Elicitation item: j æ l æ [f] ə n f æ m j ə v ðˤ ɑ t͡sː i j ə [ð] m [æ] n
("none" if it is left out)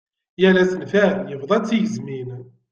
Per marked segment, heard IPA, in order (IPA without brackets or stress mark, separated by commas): s, z, i